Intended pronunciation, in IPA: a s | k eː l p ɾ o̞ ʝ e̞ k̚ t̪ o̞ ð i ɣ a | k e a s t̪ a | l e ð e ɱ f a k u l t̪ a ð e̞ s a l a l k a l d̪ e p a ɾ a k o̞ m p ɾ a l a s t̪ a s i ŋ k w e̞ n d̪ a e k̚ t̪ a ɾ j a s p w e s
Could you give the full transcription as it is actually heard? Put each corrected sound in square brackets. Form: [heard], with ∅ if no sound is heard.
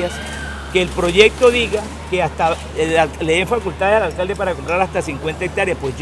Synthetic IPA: a s | k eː l p ɾ o̞ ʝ e̞ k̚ t̪ o̞ ð i ɣ a | k e a s t̪ a | l e ð e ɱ f a k u l t̪ a ð e̞ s a l a l k a l d̪ e p a ɾ a k o̞ m p ɾ a [ɾ] a s t̪ a s i ŋ k w e̞ n [t̪] a e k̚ t̪ a ɾ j a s p w e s